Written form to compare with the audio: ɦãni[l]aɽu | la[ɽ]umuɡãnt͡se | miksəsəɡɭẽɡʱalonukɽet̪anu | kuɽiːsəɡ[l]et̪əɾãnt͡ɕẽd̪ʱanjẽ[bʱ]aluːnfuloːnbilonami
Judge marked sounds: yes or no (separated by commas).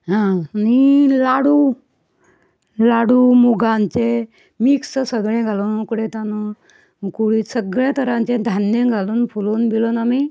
yes, yes, no, no